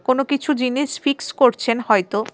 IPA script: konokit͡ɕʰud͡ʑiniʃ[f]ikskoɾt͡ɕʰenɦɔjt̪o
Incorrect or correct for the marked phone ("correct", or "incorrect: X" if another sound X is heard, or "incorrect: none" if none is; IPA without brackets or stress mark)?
correct